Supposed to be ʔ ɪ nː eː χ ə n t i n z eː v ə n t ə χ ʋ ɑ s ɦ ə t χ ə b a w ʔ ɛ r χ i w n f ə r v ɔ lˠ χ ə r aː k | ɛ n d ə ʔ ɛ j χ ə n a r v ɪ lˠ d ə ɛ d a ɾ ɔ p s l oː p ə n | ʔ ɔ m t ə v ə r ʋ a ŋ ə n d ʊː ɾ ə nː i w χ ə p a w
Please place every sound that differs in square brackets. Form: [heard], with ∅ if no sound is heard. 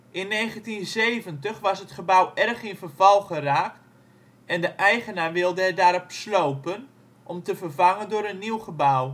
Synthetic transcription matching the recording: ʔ ɪ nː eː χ ə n t i n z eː v ə n t ə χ ʋ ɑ s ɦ ə t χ ə b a w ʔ ɛ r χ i [∅] n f ə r v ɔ lˠ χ ə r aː k | ɛ n d ə ʔ ɛ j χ ə n a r [ʋ] ɪ lˠ d ə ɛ d a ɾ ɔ p s l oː p ə n | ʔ ɔ m t ə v ə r [v] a ŋ ə n d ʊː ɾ ə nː i w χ ə [b] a w